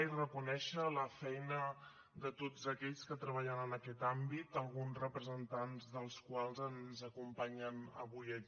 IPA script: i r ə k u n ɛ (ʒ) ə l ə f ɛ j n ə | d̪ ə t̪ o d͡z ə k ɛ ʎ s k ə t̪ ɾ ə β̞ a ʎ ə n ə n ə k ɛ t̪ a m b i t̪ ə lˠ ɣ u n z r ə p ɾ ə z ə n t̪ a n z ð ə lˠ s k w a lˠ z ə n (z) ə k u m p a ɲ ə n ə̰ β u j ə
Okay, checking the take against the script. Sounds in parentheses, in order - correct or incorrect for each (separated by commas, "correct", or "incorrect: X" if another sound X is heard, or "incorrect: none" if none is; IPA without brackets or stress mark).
incorrect: ʃ, correct